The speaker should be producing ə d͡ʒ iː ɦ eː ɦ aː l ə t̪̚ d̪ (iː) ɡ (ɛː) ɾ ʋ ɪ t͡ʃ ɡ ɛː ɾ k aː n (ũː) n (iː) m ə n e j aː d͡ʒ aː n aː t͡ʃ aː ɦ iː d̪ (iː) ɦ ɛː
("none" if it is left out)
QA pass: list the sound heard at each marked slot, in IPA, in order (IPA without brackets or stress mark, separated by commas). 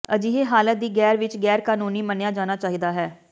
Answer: iː, ɛː, uː, iː, aː